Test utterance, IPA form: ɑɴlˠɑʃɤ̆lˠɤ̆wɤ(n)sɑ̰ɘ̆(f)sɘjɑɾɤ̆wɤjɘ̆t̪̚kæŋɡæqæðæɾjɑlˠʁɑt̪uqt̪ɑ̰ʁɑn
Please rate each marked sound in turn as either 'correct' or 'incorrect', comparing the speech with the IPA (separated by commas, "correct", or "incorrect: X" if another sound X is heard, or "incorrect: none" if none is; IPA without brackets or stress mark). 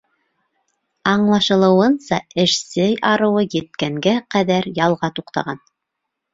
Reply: correct, incorrect: ʃ